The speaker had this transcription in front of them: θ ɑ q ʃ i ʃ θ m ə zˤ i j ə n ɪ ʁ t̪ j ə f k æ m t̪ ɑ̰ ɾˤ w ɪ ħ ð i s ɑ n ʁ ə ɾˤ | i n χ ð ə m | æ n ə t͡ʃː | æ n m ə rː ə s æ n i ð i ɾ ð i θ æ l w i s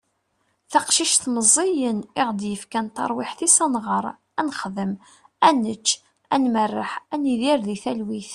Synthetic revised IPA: θ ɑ q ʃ i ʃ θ m ə zˤ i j ə n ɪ ʁ d̪ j ə f k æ n t̪ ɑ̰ ɾˤ w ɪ ħ θ i s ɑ n ʁ ə ɾˤ | æ n χ ð ə m | æ n ə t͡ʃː | æ n m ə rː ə ħ æ n i ð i ɾ ð i θ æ l w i θ